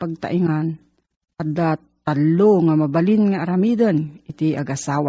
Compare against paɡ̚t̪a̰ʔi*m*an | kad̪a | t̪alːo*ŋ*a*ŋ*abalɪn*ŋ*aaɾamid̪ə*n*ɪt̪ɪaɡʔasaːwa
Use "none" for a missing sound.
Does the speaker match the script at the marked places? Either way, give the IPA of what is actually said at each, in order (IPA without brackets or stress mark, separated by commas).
ŋ, ŋ, m, ŋ, n